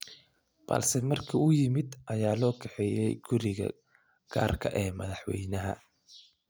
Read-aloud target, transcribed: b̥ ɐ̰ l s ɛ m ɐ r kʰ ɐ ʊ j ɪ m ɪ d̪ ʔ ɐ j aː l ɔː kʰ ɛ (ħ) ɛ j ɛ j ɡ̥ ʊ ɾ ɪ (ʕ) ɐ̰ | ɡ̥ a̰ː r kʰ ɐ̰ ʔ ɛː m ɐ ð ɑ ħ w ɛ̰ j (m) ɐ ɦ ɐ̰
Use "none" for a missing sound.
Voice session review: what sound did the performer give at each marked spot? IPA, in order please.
ħ, ɣ, n

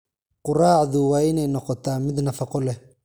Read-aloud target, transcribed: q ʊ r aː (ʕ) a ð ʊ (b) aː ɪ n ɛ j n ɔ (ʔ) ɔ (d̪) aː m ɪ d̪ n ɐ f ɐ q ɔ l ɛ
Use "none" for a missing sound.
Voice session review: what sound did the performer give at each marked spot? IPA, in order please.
ʕ, w, q, t̪

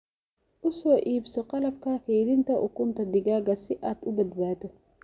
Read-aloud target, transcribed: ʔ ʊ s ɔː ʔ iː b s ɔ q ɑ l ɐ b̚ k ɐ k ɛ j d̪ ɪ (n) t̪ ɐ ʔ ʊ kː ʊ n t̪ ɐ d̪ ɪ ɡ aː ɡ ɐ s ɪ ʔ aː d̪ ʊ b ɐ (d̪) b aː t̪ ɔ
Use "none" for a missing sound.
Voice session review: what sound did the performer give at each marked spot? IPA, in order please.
n, d̪

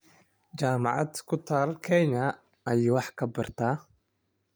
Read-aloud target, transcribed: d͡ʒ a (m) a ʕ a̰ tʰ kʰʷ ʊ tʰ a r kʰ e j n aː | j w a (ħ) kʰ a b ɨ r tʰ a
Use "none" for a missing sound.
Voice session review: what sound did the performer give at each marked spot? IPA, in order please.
m, ħ

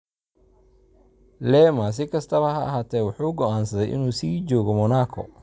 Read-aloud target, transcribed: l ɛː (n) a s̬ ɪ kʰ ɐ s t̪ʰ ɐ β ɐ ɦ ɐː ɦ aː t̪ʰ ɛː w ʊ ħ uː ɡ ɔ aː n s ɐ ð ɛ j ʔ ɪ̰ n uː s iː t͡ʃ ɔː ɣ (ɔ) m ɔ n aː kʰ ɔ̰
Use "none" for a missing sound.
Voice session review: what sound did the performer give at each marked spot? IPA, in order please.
m, ɔ

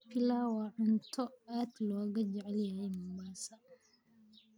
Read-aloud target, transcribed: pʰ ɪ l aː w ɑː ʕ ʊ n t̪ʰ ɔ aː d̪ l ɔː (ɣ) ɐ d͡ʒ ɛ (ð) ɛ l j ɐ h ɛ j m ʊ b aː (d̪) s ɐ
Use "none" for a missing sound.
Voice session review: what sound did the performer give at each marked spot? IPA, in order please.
ɣ, ʕ, none

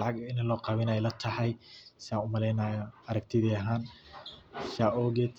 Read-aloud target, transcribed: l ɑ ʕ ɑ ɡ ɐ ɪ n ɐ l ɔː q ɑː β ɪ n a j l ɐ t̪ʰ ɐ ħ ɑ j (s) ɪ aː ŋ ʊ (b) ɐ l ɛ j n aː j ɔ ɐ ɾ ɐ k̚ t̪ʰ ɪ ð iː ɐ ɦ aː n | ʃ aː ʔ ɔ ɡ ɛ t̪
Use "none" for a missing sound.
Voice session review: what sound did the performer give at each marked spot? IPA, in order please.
s, m

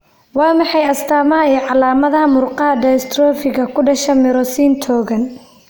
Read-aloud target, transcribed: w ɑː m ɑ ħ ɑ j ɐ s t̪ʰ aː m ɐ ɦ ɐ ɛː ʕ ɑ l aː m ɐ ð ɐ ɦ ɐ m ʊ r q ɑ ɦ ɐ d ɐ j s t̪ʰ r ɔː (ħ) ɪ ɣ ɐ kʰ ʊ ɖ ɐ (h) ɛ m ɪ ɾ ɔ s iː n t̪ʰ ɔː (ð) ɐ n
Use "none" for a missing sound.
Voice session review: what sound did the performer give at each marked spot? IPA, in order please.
f, ʃ, ɣ

